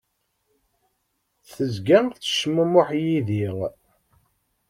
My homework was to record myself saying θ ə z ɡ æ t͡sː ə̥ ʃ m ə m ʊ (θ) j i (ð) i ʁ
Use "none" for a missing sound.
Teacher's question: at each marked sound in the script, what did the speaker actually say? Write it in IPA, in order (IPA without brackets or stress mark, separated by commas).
ħ, ð